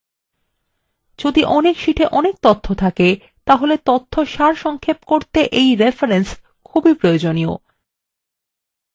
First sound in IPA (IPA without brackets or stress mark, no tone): d͡ʑ